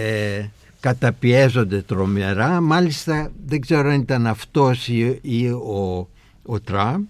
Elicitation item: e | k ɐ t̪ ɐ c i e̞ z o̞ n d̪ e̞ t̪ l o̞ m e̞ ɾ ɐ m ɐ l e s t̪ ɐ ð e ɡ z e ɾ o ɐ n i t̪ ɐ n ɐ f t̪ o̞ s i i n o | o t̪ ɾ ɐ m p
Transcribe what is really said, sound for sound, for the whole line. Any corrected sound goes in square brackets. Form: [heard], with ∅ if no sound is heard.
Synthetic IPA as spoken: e | k ɐ t̪ ɐ [p] i e̞ z o̞ n d̪ e̞ t̪ [ɾ] o̞ m e̞ ɾ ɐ m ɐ l [i] s t̪ ɐ ð e ɡ z e ɾ o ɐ n i t̪ ɐ n ɐ f t̪ o̞ s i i [∅] o | o t̪ ɾ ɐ m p